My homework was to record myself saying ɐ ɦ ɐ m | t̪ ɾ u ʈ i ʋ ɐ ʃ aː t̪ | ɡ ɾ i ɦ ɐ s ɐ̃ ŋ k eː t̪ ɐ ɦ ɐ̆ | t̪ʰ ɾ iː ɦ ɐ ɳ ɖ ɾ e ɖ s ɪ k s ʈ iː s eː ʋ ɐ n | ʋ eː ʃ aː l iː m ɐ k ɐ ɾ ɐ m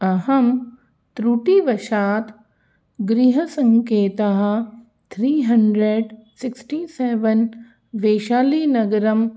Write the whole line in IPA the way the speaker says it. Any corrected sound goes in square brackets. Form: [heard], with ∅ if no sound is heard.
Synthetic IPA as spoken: ɐ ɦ ɐ m | t̪ ɾ u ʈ i ʋ ɐ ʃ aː t̪ | ɡ ɾ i ɦ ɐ s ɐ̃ ŋ k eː t̪ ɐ ɦ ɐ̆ | t̪ʰ ɾ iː ɦ ɐ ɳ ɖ ɾ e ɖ s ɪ k s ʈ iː s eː ʋ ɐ n | ʋ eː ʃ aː l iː [n] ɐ [ɡ] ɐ ɾ ɐ m